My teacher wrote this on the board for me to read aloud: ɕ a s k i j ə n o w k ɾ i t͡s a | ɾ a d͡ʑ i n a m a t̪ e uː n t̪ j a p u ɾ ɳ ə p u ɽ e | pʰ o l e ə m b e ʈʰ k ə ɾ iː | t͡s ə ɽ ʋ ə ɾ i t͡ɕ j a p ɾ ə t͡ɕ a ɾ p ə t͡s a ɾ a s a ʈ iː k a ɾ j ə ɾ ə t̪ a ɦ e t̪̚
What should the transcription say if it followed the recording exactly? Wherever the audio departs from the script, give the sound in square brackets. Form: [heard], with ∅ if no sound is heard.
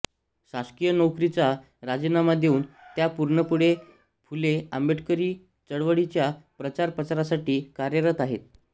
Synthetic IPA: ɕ a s k i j ə n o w k ɾ i t͡s a | ɾ a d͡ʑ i n a m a [d̪] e uː n t̪ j a p u ɾ ɳ ə p u ɽ e | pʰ [u] l e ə m b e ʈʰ k ə ɾ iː | t͡s ə ɽ ʋ ə [ɽ] i t͡ɕ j a p ɾ ə t͡ɕ a ɾ p ə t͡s a ɾ a s a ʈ iː k a ɾ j ə ɾ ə t̪ a ɦ e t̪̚